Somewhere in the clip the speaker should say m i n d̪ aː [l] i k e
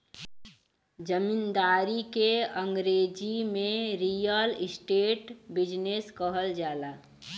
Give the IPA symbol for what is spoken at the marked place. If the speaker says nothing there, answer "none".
ɾ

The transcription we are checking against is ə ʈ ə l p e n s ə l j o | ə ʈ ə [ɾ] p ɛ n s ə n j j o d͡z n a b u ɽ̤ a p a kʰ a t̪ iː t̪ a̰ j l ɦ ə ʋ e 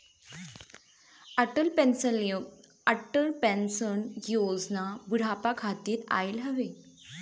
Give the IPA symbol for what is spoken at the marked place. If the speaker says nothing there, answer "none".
l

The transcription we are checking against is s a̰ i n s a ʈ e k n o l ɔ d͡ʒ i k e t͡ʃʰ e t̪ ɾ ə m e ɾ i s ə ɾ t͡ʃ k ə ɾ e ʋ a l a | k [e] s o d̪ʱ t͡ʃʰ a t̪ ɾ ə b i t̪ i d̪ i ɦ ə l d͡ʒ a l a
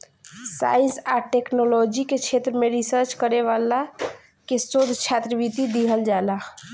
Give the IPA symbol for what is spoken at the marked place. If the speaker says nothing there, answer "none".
e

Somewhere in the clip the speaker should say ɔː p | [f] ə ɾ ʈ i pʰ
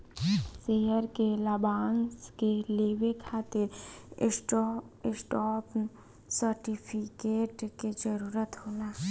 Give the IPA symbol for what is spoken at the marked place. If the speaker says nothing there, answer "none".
s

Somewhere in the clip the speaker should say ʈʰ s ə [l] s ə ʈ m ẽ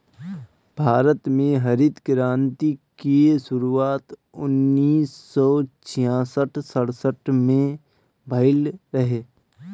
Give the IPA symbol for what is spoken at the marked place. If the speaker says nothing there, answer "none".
ɽ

